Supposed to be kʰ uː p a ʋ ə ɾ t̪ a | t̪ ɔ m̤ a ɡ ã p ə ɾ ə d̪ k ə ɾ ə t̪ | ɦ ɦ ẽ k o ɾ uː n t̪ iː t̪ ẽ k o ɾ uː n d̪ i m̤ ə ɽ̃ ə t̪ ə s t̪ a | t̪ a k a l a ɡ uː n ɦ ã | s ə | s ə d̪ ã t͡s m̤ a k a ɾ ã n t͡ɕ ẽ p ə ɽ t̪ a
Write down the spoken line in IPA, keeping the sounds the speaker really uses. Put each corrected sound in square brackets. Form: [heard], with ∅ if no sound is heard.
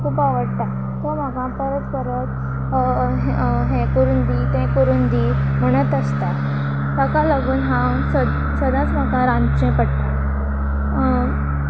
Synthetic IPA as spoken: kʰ uː p a ʋ ə [ɽ] t̪ a | t̪ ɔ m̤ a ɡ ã p ə ɾ ə [t̪] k ə ɾ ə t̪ | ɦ ɦ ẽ k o ɾ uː n [d̪] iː t̪ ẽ k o ɾ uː n d̪ i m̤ ə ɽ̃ ə t̪ ə s t̪ a | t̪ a k a l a ɡ uː n ɦ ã | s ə | s ə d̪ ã t͡s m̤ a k a ɾ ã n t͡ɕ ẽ p ə ɽ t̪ a

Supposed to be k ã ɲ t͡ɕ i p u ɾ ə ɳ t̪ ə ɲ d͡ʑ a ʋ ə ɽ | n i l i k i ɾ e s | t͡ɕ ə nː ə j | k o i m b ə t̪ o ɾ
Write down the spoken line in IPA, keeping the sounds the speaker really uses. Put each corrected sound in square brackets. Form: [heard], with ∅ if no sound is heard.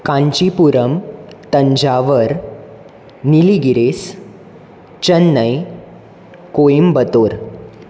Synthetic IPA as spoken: k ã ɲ t͡ɕ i p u ɾ ə [m] t̪ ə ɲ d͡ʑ a ʋ ə [ɾ] | n i l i [ɡ] i ɾ e s | t͡ɕ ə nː ə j | k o i m b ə t̪ o ɾ

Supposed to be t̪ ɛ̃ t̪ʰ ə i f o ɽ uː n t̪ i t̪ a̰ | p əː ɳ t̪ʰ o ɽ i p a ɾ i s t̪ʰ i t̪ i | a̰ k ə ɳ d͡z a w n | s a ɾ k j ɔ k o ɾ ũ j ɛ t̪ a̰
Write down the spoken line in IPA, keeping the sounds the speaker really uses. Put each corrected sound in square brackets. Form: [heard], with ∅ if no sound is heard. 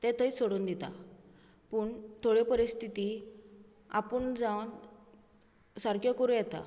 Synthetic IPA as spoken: t̪ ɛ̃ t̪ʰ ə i [s] o ɽ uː n [d̪] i t̪ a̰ | p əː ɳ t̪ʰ o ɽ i p [ə] ɾ i s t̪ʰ i t̪ i | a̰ [p] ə ɳ d͡z a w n | s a ɾ k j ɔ k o ɾ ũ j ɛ t̪ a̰

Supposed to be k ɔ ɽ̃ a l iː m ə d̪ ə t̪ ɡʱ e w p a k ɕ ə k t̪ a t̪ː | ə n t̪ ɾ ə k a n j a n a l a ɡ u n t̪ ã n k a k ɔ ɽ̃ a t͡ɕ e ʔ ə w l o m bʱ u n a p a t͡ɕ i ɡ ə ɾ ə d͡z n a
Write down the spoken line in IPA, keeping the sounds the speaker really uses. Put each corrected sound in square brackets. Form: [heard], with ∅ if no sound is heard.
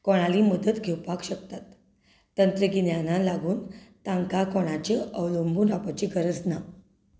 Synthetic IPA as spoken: k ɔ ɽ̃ a l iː m ə d̪ ə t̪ ɡʱ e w p a k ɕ ə k t̪ a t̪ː | ə n t̪ ɾ ə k [i] n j a n a l a ɡ [uː] n t̪ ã [ŋ] k a k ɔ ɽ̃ a t͡ɕ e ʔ ə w l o m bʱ u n a p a t͡ɕ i ɡ ə ɾ ə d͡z n a

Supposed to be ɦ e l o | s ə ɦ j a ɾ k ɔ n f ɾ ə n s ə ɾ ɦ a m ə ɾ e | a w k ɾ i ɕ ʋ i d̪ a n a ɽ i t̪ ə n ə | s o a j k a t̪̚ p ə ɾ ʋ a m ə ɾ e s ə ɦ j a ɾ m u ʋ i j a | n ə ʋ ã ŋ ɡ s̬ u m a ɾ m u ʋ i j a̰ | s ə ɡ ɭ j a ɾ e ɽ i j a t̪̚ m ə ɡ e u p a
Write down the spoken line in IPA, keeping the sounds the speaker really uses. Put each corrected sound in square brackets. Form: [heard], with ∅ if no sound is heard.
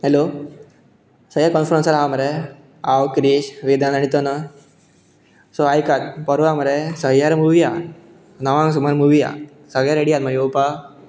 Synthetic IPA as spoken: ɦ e l o | s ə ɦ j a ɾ k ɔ n f ɾ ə n s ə ɾ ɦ a m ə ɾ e | a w k ɾ i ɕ ʋ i d̪ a n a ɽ i t̪ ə n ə | s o a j k a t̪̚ p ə ɾ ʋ a m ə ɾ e s ə ɦ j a ɾ m u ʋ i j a | n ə ʋ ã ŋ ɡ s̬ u m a ɾ m u ʋ i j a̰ | s ə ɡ ɭ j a ɾ e ɽ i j a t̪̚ m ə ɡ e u p a

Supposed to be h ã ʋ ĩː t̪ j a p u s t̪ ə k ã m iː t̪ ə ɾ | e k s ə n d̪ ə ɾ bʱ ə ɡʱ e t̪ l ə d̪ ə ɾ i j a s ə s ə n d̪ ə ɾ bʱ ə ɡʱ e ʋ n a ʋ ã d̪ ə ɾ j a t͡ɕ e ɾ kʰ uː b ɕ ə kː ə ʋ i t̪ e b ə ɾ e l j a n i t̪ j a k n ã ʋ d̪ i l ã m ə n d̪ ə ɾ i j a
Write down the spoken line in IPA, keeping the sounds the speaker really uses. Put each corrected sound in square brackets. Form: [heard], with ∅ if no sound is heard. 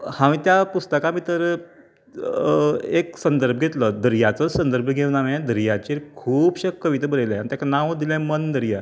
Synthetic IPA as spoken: h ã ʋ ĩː t̪ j a p u s t̪ ə k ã m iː t̪ ə ɾ | e k s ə n d̪ ə ɾ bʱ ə ɡʱ e t̪ l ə d̪ ə ɾ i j a [t͡s] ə s ə n d̪ ə ɾ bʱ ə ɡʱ e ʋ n a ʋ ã d̪ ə ɾ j a t͡ɕ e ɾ kʰ uː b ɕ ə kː ə ʋ i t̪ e b ə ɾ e l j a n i t̪ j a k n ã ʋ d̪ i l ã m ə n d̪ ə ɾ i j a

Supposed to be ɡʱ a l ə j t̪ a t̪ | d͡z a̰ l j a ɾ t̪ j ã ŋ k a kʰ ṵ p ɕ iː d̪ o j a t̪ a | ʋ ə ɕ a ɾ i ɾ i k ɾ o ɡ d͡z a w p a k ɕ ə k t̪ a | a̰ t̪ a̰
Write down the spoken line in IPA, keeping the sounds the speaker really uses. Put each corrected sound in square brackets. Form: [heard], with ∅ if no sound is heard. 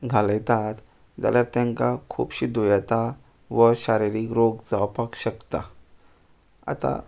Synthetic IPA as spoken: ɡʱ a l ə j t̪ a t̪ | d͡z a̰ l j a ɾ t̪ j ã ŋ k a kʰ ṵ p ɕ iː d̪ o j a t̪ a | ʋ ə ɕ a ɾ i ɾ i k ɾ o ɡ d͡z a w p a k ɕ ə k t̪ a | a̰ t̪ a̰

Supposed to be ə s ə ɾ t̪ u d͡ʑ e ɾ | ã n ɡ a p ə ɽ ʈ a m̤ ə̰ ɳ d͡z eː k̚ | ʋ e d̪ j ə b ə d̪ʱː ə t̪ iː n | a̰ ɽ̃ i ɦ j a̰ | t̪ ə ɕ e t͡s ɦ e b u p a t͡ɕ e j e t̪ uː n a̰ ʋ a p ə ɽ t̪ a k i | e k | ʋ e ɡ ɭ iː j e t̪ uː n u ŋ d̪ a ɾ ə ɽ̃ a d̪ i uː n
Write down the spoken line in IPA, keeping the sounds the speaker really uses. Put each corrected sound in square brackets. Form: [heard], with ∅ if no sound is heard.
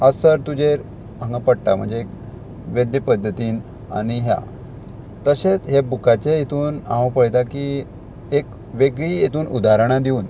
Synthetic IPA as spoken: ə s ə ɾ t̪ u d͡ʑ e ɾ | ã [ŋ] ɡ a p ə ɽ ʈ a m̤ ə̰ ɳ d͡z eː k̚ | ʋ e d̪ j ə [p] ə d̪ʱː ə t̪ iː n | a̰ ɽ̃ i ɦ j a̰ | t̪ ə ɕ e t͡s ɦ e b u [k] a t͡ɕ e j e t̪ uː n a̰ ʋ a p ə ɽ t̪ a k i | e k | ʋ e ɡ ɭ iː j e t̪ uː n u [∅] d̪ a ɾ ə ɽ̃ a d̪ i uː n

